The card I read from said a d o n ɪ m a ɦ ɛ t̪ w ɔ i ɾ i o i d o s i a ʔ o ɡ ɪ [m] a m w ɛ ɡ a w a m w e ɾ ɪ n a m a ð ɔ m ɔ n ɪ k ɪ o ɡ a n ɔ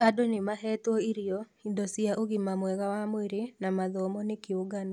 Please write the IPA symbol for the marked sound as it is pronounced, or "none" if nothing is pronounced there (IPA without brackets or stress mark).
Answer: m